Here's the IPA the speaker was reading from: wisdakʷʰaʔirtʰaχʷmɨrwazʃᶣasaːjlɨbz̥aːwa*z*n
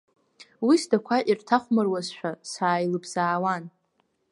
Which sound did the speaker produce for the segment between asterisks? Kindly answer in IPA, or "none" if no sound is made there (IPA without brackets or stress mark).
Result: none